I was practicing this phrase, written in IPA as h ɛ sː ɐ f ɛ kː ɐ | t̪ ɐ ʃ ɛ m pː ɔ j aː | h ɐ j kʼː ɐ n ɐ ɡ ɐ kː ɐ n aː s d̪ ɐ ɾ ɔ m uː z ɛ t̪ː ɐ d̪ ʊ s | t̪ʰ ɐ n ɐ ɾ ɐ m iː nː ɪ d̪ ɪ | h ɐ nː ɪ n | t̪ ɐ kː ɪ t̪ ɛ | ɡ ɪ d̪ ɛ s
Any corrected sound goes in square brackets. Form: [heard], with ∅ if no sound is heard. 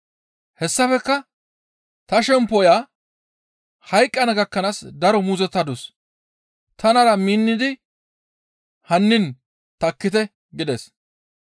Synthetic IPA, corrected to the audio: h ɛ sː ɐ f ɛ kː ɐ | t̪ ɐ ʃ ɛ m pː ɔ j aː | h ɐ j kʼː ɐ n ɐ ɡ ɐ kː ɐ n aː s d̪ ɐ ɾ ɔ m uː z ɛ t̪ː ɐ d̪ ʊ s | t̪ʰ ɐ n ɐ ɾ ɐ m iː nː ɪ d̪ ɪ | h ɐ nː ɪ n | t̪ ɐ kː ɪ t̪ ɛ | ɡ ɪ d̪ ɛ s